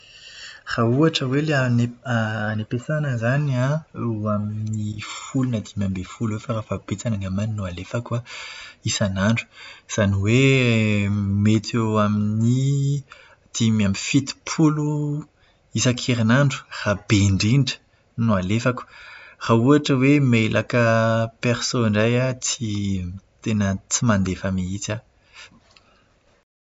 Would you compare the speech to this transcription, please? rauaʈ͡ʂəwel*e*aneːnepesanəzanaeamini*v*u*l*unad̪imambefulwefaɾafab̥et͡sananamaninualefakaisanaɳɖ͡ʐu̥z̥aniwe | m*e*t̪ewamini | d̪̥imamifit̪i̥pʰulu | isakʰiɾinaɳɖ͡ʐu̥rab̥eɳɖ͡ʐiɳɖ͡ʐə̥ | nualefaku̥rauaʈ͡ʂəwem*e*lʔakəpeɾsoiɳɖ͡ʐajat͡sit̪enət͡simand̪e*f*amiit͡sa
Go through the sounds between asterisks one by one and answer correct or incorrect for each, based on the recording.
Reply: correct, incorrect: f, correct, correct, correct, correct

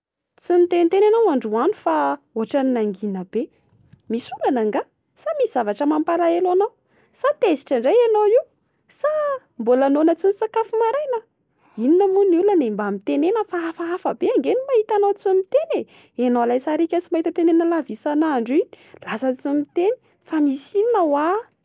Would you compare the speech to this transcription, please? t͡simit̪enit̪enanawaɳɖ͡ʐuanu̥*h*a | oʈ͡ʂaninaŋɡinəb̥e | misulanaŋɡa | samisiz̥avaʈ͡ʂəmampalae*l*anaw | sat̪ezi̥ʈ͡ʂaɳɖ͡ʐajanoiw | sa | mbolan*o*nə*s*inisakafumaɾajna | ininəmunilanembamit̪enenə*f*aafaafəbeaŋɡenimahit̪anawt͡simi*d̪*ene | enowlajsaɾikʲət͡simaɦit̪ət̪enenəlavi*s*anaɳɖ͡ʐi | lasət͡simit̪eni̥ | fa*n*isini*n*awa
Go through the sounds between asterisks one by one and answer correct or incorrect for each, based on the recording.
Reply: incorrect: f, correct, correct, incorrect: t͡s, correct, incorrect: t̪, correct, incorrect: m, correct

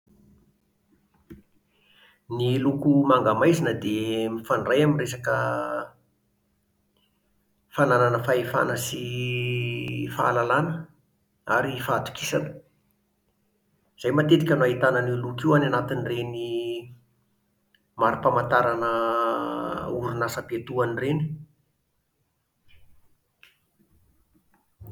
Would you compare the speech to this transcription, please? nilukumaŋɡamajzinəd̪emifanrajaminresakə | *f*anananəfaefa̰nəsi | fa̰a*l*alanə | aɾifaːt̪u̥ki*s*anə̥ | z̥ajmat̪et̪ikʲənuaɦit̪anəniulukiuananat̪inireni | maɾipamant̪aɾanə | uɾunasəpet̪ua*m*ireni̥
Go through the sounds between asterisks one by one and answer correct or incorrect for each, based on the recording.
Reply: correct, correct, correct, incorrect: n

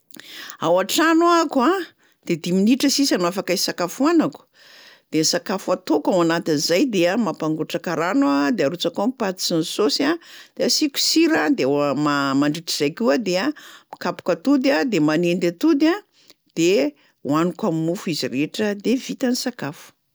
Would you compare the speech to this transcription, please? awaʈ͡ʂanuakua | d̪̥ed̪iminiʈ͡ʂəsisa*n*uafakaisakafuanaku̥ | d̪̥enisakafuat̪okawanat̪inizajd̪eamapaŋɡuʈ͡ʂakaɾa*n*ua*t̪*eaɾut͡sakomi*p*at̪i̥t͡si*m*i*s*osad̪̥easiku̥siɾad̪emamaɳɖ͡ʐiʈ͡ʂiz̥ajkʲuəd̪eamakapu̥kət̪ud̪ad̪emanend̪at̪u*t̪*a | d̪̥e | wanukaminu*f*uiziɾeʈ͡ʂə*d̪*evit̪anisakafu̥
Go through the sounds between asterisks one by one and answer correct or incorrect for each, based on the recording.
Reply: correct, correct, incorrect: d̪, correct, incorrect: n, correct, incorrect: d̪, correct, correct

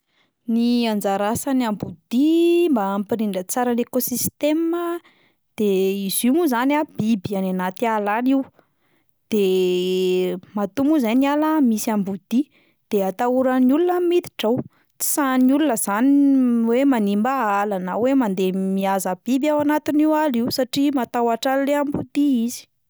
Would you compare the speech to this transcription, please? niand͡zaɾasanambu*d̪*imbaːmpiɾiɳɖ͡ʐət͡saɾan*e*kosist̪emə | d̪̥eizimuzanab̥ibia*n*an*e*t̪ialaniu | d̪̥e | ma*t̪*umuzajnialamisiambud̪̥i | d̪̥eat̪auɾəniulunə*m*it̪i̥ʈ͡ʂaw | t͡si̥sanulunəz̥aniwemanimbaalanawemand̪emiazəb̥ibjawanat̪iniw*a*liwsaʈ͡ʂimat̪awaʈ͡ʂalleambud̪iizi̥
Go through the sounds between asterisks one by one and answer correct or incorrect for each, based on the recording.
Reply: correct, correct, correct, incorrect: a, correct, correct, correct

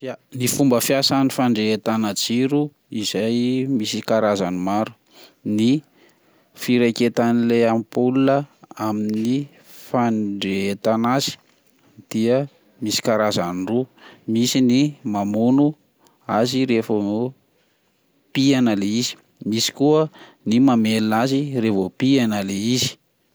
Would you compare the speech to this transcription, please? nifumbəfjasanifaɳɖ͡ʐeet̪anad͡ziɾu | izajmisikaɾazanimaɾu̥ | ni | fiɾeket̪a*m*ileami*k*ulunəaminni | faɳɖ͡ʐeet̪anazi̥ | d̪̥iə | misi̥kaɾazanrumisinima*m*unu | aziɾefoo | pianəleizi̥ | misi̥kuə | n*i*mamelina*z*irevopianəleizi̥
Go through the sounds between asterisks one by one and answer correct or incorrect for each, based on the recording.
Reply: incorrect: n, incorrect: p, correct, correct, correct

